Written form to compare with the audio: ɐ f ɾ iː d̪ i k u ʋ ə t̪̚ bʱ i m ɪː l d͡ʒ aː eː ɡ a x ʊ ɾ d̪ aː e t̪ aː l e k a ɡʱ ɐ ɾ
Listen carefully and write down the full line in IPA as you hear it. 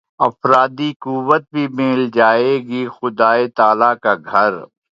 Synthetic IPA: ɐ f ɾ aː d̪ i k u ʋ ə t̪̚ bʱ i m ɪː l d͡ʒ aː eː ɡ i x ʊ d̪ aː e t̪ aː l a k a ɡʱ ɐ ɾ

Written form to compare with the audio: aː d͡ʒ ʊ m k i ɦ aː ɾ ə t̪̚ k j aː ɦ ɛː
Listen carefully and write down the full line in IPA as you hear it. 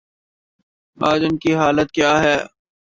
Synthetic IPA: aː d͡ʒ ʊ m k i ɦ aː l ə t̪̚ k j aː ɦ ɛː

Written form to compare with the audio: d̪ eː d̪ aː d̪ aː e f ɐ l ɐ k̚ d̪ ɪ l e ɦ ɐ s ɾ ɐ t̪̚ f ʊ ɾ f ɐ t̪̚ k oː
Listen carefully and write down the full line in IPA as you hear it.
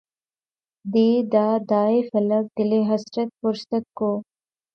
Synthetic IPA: d̪ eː d̪ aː d̪ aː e f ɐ l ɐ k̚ d̪ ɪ l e ɦ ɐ s ɾ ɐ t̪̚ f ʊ ɾ s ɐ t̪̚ k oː

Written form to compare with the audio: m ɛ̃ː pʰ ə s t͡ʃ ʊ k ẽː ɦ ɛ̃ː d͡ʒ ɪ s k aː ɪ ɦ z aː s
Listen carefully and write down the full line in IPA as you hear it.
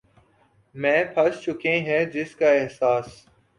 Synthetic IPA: m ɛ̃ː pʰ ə s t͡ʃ ʊ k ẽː ɦ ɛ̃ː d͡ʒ ɪ s k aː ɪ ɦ s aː s

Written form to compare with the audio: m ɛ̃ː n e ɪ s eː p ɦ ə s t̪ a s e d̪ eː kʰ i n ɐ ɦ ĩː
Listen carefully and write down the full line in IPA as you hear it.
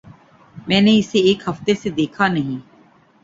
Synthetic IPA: m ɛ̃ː n e ɪ s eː k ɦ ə f t̪ e s e d̪ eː kʰ a n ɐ ɦ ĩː

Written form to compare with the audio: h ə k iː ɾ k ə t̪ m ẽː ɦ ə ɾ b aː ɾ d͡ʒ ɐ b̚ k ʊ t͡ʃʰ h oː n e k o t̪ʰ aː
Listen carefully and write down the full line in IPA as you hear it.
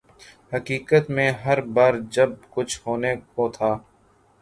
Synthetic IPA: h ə k iː k ə t̪ m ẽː ɦ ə ɾ b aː ɾ d͡ʒ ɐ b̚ k ʊ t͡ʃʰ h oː n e k o t̪ʰ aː

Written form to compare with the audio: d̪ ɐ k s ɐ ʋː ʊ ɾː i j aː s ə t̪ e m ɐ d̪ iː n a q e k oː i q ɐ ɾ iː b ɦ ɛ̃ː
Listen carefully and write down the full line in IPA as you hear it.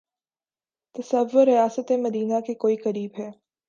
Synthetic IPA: t̪ ɐ s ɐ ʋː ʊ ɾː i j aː s ə t̪ e m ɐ d̪ iː n a k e k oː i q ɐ ɾ iː b ɦ ɛː

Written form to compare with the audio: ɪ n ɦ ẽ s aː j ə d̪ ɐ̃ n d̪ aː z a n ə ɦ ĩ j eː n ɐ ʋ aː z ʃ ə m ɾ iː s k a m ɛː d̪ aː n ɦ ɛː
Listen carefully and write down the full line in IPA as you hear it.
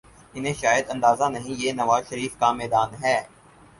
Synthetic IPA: ɪ n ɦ ẽ ʃ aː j ə d̪ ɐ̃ n d̪ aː z a n ɐ ɦ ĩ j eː n ɐ ʋ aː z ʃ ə ɾ iː f k a m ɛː d̪ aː n ɦ ɛː

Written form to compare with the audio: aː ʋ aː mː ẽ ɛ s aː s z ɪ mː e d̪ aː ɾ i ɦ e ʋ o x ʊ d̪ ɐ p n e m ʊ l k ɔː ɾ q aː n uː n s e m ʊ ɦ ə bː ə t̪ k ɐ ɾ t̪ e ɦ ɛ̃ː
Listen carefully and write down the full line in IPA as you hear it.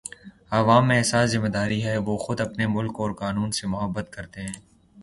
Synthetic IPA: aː ʋ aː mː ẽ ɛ s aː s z ɪ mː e d̪ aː ɾ i ɦ ɛ ʋ o x ʊ d̪ ɐ p n e m ʊ l k ɔː ɾ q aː n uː n s e m ʊ ɦ ə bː ə t̪ k ɐ ɾ t̪ e ɦ ɛ̃ː

